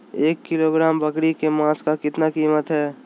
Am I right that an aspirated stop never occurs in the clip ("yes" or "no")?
yes